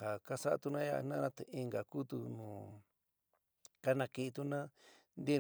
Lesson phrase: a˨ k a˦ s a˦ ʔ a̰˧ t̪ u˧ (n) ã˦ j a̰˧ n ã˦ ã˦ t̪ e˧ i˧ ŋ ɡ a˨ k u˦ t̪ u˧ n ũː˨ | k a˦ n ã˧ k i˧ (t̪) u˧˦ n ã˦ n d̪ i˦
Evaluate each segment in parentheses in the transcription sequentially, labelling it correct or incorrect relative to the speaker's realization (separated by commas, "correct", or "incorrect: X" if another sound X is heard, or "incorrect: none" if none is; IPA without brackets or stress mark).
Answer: correct, correct